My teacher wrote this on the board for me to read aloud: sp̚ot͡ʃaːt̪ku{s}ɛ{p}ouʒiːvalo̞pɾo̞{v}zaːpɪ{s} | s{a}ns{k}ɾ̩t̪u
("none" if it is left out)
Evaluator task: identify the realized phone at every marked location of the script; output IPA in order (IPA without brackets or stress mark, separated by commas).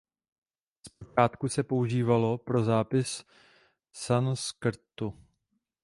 s, p, none, s, a, k